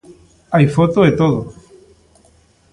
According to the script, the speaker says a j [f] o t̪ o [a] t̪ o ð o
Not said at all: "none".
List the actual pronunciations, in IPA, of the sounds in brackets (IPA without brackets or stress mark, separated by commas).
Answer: f, e